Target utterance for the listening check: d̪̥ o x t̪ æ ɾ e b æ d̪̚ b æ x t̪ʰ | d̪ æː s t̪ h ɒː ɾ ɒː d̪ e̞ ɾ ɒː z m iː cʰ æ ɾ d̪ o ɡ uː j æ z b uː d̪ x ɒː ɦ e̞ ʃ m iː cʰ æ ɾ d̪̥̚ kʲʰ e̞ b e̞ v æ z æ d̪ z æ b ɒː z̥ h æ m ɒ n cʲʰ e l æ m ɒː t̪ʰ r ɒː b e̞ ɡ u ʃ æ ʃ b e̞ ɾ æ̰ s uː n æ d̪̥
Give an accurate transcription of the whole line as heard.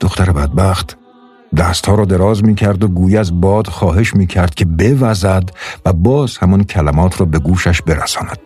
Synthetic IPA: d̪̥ o x t̪ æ ɾ e b æ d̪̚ b æ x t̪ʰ | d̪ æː s t̪ h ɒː ɾ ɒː d̪ e̞ ɾ ɒː z m iː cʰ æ ɾ d̪ o ɡ uː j æ z b ɒː d̪ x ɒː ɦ e̞ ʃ m iː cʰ æ ɾ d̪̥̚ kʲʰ e̞ b e̞ v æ z æ d̪ v æ b ɒː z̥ h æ m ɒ n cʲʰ æ l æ m ɒː t̪ʰ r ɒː b e̞ ɡ uː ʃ æ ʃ b e̞ ɾ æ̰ s ɒː n æ d̪̥